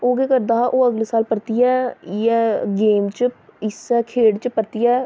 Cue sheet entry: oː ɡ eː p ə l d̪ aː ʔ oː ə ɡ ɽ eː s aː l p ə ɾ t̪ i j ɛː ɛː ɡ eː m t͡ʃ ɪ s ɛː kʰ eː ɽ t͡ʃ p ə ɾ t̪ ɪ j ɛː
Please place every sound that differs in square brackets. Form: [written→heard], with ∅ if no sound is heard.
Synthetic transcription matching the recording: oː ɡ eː [p→k] ə [l→ɾ] d̪ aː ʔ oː ə ɡ [ɽ→l] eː s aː l p ə ɾ t̪ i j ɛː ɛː ɡ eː m t͡ʃ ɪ s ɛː kʰ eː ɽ t͡ʃ p ə ɾ t̪ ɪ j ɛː